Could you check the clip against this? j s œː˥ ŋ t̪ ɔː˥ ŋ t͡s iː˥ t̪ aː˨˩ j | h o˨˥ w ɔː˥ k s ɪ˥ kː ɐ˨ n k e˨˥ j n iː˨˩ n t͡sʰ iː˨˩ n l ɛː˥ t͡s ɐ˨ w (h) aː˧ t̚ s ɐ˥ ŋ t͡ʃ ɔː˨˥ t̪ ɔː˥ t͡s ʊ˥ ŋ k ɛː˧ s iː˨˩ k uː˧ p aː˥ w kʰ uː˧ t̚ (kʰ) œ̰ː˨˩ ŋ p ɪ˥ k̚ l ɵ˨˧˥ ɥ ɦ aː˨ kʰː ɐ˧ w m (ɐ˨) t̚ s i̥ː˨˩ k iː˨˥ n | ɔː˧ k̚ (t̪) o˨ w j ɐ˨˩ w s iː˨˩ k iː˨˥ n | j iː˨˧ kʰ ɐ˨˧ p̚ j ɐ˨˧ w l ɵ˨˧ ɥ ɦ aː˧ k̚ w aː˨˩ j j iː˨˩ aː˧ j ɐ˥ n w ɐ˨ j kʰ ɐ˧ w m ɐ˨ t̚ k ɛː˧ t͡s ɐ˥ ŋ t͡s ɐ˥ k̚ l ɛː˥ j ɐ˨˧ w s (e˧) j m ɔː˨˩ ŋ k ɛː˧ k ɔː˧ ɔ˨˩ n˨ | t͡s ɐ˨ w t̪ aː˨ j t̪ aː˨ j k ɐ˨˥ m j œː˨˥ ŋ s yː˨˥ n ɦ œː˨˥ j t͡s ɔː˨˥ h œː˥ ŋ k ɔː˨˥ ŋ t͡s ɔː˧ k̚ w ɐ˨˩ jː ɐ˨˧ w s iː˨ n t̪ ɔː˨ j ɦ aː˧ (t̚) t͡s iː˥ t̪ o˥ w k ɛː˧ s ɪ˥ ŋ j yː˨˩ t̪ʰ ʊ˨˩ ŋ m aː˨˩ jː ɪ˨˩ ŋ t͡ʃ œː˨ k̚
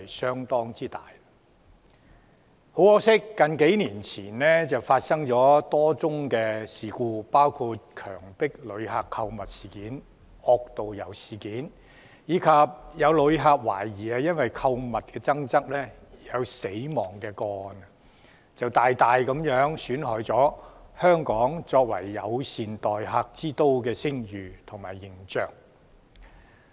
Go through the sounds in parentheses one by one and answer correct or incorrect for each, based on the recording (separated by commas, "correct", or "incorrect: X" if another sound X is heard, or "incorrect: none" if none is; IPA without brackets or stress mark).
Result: incorrect: f, correct, correct, correct, incorrect: e˨˥, incorrect: k̚